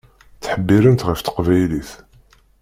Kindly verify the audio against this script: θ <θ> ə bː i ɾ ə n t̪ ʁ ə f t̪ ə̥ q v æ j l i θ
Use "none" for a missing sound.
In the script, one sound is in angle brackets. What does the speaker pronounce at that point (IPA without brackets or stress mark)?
ħ